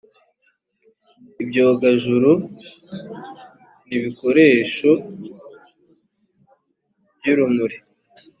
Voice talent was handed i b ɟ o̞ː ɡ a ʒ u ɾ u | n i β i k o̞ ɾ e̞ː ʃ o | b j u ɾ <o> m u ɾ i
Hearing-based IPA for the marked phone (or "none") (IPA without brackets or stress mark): u